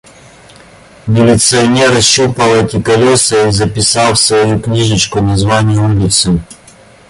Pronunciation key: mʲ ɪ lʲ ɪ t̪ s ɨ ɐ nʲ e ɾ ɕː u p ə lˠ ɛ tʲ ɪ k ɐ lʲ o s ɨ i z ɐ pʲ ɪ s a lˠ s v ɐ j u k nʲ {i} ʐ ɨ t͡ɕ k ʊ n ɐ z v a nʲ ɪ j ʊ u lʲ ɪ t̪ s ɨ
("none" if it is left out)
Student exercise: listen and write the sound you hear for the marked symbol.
i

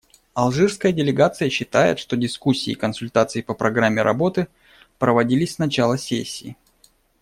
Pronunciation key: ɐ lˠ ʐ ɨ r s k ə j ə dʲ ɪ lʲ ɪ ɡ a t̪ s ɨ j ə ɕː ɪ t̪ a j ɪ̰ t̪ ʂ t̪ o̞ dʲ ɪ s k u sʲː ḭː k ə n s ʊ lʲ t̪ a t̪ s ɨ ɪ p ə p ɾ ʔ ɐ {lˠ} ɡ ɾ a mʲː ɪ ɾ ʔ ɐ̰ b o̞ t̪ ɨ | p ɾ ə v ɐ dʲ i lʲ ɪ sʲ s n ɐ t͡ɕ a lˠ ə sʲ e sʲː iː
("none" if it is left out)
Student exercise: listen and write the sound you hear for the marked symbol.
none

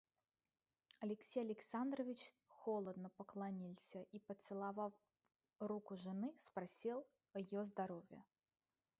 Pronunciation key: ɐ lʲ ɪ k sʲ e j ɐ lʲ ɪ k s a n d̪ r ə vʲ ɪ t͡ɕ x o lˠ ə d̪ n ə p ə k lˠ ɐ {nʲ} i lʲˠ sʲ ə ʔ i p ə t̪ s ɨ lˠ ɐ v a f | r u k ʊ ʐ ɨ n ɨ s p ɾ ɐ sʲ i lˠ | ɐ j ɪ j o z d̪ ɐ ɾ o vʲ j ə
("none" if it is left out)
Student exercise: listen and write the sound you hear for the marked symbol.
nʲ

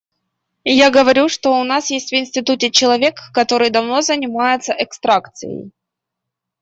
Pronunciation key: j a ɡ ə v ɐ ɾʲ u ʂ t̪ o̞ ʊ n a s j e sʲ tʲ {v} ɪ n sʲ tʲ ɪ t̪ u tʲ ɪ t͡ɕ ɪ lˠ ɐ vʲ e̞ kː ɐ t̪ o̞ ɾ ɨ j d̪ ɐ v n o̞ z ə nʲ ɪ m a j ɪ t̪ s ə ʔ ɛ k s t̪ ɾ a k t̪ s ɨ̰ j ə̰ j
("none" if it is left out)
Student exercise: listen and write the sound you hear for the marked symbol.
v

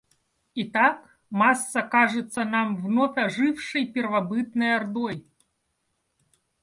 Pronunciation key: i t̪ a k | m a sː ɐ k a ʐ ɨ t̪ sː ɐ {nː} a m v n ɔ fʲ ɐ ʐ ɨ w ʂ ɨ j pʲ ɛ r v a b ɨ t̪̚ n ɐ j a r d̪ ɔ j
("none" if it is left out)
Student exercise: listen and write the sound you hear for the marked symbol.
n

